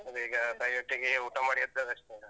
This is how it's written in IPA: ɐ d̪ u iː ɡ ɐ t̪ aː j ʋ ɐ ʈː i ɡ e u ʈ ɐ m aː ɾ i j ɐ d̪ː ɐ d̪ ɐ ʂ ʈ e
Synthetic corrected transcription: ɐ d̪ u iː ɡ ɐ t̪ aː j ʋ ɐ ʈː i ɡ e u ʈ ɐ m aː ɽ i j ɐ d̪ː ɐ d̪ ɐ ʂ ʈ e